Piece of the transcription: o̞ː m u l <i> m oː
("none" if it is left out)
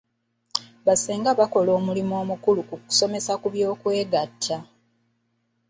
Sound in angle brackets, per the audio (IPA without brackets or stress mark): i